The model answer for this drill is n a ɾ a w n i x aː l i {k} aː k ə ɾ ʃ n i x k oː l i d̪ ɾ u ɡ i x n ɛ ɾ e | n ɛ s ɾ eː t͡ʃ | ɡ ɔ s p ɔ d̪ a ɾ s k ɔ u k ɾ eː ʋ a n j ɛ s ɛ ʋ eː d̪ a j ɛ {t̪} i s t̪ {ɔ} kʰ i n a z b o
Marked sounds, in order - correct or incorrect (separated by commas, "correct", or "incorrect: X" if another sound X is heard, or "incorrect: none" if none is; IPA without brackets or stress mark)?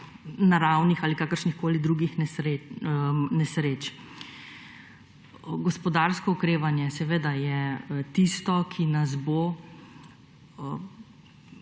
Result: correct, correct, correct